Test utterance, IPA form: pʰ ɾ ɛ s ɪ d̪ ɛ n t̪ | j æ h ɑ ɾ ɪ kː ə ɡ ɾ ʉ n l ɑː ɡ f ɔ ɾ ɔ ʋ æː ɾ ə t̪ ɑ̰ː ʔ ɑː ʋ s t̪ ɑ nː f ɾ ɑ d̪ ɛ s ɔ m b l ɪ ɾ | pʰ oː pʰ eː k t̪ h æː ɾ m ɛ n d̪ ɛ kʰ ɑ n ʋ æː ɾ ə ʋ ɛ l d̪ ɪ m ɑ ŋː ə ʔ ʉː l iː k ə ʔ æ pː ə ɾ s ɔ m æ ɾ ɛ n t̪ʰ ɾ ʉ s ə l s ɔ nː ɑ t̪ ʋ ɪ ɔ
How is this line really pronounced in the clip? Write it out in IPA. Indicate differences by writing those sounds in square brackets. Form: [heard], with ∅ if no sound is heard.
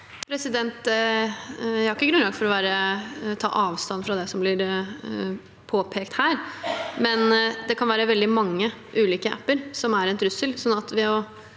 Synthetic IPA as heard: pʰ ɾ ɛ s ɪ d̪ ɛ n t̪ | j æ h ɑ ɾ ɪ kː ə ɡ ɾ ʉ n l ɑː ɡ f ɔ ɾ ɔ ʋ æː ɾ ə [t̪ʰ] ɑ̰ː ʔ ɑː ʋ s t̪ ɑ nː f ɾ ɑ d̪ ɛ s ɔ m b l ɪ ɾ | pʰ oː pʰ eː k t̪ h æː ɾ m ɛ n d̪ ɛ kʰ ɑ n ʋ æː ɾ ə ʋ ɛ l d̪ ɪ m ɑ ŋː ə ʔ ʉː l iː k ə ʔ æ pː ə ɾ s ɔ m æ ɾ ɛ n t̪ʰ ɾ ʉ s ə l s ɔ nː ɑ t̪ ʋ ɪ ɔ

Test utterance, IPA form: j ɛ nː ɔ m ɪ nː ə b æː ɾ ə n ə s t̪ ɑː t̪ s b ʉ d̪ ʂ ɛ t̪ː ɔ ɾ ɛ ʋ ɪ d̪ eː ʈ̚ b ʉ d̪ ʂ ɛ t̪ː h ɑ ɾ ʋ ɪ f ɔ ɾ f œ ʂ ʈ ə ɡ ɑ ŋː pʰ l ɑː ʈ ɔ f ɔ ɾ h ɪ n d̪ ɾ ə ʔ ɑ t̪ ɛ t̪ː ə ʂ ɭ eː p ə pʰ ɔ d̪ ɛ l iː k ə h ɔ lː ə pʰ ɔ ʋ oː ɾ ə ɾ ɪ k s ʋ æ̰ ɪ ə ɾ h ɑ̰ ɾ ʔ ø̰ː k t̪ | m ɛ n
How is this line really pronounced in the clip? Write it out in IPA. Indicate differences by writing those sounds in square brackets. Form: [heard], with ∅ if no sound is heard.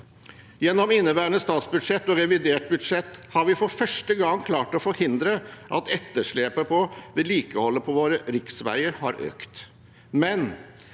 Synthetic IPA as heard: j ɛ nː ɔ m ɪ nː ə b æː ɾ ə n ə s t̪ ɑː t̪ s b ʉ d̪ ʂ ɛ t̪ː ɔ ɾ ɛ ʋ ɪ d̪ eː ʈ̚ b ʉ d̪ ʂ ɛ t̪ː h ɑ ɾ ʋ ɪ f ɔ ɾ f œ ʂ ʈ ə ɡ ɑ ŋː [kʰ] l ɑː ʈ ɔ f ɔ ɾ h ɪ n d̪ ɾ ə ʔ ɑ t̪ ɛ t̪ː ə ʂ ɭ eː p ə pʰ ɔ d̪ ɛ l iː k ə h ɔ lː ə pʰ ɔ ʋ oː ɾ ə ɾ ɪ k s ʋ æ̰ ɪ ə ɾ h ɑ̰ ɾ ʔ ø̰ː k t̪ | m ɛ n

